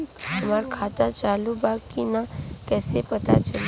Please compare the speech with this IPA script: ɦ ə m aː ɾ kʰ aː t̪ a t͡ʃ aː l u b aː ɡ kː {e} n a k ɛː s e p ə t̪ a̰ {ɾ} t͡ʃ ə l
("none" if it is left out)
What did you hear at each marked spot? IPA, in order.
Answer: i, none

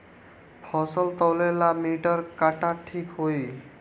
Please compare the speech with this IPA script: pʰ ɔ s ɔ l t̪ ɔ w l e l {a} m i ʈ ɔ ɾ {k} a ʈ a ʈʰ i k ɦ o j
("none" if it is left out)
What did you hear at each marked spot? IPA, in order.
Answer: a, k

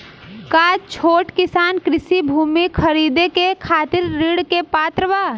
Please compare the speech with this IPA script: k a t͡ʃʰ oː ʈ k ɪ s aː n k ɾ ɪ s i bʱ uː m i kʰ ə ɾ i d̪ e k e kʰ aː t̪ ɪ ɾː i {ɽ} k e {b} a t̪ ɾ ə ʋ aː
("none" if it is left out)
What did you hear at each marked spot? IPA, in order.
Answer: ɽ, p

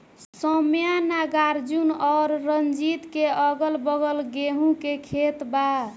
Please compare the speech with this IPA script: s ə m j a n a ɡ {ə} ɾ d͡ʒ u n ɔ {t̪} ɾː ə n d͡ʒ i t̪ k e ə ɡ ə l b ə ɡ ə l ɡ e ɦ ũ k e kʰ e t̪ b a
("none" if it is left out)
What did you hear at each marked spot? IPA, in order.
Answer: a, none

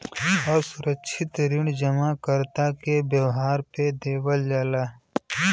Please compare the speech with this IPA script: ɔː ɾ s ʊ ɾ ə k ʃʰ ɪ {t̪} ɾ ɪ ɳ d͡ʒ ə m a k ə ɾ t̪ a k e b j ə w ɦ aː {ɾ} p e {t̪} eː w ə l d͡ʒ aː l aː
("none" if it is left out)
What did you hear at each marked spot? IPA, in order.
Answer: t̪, ɾ, d̪

